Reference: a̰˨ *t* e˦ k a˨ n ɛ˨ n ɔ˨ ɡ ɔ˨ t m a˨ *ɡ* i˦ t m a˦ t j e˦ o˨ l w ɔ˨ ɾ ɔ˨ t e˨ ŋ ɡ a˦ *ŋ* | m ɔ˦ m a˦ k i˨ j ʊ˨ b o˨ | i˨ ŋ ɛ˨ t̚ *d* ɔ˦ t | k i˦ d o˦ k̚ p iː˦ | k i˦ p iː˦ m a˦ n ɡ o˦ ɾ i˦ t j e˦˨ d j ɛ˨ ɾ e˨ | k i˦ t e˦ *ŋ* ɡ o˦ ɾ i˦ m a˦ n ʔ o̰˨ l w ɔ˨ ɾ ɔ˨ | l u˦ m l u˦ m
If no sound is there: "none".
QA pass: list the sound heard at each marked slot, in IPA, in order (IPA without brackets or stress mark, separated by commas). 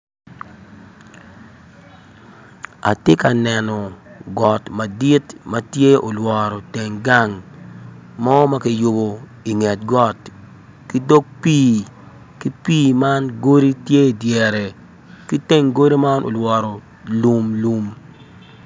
t, d, ŋ, ɡ, ŋ